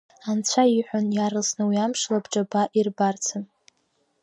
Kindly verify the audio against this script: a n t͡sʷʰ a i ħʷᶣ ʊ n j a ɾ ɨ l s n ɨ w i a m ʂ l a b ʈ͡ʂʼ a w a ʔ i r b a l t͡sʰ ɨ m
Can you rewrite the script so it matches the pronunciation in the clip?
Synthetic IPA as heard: a n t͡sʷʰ a i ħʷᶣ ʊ n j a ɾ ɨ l s n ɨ w i a m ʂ l a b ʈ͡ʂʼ a b a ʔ i r b a r t͡sʰ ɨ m